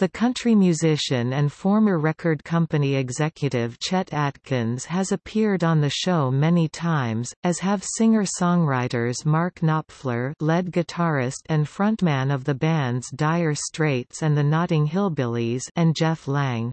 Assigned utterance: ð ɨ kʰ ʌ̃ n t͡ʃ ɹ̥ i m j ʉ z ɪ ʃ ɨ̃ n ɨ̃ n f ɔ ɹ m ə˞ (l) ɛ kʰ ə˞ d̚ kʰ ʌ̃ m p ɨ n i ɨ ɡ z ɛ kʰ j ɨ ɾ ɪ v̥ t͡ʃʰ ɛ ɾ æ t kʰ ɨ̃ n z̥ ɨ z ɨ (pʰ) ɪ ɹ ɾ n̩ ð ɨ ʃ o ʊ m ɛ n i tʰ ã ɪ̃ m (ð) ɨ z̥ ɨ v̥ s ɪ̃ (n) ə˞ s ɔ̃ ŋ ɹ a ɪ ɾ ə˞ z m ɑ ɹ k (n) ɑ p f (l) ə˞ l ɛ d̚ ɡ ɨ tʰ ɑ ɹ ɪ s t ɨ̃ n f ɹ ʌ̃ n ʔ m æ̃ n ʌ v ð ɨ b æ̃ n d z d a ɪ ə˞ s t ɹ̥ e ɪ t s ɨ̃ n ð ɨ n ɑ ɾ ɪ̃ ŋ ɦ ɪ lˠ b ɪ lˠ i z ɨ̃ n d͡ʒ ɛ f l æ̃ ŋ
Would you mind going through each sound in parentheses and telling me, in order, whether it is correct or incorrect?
incorrect: ɹ, correct, incorrect: z, incorrect: ŋ, correct, correct

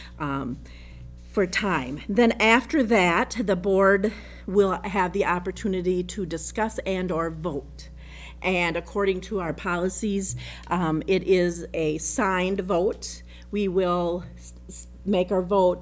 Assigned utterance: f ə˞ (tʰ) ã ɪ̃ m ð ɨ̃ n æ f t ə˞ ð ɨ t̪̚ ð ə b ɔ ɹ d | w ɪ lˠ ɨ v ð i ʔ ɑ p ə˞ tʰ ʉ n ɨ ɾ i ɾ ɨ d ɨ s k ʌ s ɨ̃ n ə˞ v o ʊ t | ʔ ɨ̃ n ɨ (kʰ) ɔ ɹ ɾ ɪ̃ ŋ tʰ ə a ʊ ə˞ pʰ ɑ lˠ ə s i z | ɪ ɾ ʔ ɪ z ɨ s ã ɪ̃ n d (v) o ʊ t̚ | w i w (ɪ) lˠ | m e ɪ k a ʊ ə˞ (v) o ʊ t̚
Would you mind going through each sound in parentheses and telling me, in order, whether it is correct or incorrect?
correct, correct, correct, correct, correct

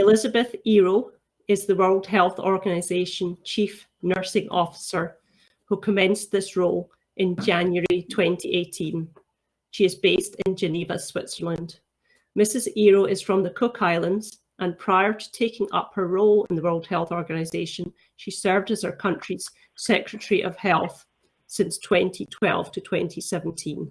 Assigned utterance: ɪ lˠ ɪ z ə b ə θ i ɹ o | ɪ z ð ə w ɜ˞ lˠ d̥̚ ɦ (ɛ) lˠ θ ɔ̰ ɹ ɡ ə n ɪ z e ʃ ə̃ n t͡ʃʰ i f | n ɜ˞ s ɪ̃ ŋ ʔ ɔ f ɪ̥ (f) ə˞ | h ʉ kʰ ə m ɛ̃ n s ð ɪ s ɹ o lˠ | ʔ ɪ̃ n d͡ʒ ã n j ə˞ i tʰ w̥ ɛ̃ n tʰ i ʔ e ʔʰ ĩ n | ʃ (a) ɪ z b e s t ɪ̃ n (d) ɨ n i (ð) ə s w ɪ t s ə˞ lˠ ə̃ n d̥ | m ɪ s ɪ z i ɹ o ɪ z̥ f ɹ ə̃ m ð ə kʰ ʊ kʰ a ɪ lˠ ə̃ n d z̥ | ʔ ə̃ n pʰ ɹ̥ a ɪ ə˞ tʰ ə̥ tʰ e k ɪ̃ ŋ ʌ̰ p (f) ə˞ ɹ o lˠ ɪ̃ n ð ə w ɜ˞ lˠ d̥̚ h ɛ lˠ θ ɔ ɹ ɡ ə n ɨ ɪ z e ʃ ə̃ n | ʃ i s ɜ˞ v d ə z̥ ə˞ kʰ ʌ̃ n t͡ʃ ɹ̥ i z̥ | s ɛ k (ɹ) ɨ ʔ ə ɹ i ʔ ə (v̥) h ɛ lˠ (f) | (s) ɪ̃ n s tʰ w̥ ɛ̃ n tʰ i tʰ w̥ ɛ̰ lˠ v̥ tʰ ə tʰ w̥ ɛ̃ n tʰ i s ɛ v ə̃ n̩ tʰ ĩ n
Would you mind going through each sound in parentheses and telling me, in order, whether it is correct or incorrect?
correct, incorrect: s, incorrect: i, incorrect: d͡ʒ, incorrect: v, incorrect: h, correct, correct, incorrect: θ, correct

